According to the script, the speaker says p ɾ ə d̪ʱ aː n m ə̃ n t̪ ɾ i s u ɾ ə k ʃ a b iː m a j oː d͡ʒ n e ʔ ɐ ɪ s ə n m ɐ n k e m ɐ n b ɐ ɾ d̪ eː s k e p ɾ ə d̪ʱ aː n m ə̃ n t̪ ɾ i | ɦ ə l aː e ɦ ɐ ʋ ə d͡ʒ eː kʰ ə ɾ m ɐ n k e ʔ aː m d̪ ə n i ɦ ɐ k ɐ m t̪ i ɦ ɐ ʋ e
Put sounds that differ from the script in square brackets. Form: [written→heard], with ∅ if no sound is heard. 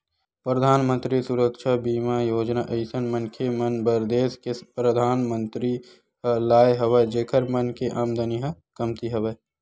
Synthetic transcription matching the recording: p ɾ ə d̪ʱ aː n m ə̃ n t̪ ɾ i s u ɾ ə k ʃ a b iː m a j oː d͡ʒ n [e→a] ʔ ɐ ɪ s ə n m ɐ n [k→kʰ] e m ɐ n b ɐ ɾ d̪ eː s k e p ɾ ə d̪ʱ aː n m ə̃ n t̪ ɾ i | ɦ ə l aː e ɦ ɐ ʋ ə d͡ʒ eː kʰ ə ɾ m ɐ n k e ʔ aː m d̪ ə n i ɦ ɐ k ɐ m t̪ i ɦ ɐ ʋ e

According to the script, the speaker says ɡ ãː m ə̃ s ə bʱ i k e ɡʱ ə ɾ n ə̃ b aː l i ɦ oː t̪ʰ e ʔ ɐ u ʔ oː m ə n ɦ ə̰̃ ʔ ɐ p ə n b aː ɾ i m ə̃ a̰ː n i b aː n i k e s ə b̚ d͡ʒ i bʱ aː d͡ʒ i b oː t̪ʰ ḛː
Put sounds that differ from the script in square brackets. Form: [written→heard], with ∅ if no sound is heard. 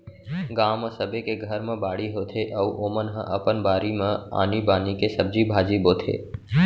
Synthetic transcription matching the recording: ɡ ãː m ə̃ s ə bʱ [i→e] k e ɡʱ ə ɾ [n→m] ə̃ b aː [l→ɽ] i ɦ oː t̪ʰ e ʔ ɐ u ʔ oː m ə n ɦ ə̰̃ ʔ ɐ p ə n b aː ɾ i m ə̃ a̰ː n i b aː n i k e s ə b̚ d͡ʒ i bʱ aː d͡ʒ i b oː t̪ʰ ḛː

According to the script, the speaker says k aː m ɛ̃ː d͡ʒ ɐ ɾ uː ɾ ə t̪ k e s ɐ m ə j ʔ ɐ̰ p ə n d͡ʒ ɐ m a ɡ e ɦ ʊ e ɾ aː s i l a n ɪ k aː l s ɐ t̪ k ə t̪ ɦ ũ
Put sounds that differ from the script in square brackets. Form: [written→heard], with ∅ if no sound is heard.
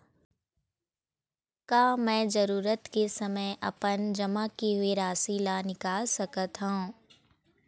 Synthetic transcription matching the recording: k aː m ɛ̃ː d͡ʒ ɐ ɾ uː ɾ ə t̪ k e s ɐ m ə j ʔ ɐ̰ p ə n d͡ʒ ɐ m a [ɡ→k] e ɦ ʊ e ɾ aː s i l a n ɪ k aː l s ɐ [t̪→∅] k ə t̪ ɦ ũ

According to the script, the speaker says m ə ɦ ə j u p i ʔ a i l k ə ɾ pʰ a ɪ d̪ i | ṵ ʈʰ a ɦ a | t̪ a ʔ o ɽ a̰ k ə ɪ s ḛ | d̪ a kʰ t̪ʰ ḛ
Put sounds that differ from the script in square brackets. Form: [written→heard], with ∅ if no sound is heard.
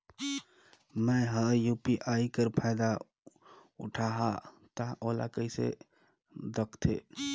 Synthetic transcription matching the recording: m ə ɦ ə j u p i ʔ a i [l→∅] k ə ɾ pʰ a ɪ d̪ [i→a] | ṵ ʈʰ a ɦ a | t̪ a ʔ o [ɽ→l] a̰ k ə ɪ s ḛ | d̪ [a→ə] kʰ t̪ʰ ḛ

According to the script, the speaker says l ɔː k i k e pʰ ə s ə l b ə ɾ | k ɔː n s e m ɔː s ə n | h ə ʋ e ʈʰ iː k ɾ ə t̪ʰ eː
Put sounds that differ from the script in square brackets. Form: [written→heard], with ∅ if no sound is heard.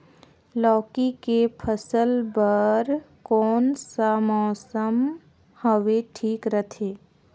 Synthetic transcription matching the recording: l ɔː k i k e pʰ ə s ə l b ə ɾ | k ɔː n s [e→a] m ɔː s ə [n→m] | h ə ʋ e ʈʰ iː k ɾ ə t̪ʰ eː

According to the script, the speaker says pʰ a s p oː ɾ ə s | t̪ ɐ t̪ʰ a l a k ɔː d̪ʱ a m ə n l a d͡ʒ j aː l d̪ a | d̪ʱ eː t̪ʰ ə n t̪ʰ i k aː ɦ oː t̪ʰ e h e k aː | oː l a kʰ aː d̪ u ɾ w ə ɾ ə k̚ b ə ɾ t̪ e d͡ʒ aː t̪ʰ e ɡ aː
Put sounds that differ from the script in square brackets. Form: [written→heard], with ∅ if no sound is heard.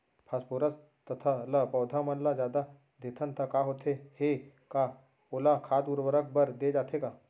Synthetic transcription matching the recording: pʰ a s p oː ɾ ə s | t̪ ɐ t̪ʰ a l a [k→p] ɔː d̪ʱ a m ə n l a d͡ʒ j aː [l→∅] d̪ a | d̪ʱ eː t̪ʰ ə n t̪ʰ [i→a] k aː ɦ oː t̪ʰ e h e k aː | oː l a kʰ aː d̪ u ɾ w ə ɾ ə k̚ b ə ɾ [t̪→d̪] e d͡ʒ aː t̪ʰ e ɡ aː

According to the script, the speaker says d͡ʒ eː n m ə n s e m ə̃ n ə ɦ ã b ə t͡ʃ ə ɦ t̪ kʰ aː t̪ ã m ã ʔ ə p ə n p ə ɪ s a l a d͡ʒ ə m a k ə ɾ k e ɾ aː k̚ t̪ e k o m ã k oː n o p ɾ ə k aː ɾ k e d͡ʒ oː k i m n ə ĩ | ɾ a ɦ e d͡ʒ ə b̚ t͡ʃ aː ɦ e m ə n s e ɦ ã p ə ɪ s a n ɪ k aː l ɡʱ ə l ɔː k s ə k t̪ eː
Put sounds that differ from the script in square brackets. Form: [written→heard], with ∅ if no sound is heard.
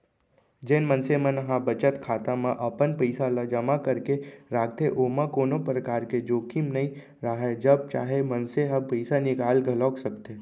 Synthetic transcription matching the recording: d͡ʒ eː n m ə n s e m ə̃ n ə ɦ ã b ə t͡ʃ ə [ɦ→∅] t̪ kʰ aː t̪ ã m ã ʔ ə p ə n p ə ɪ s a l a d͡ʒ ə m a k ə ɾ k e ɾ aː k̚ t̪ e [k→ʔ] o m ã k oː n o p ɾ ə k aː ɾ k e d͡ʒ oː k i m n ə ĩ | ɾ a ɦ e d͡ʒ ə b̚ t͡ʃ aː ɦ e m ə n s e ɦ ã p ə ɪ s a n ɪ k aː l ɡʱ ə l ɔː k s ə k t̪ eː

